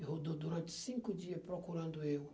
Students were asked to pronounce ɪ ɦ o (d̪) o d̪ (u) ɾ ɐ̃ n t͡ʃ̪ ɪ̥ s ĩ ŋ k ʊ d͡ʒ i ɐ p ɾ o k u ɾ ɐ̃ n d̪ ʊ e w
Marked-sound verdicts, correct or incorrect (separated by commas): correct, correct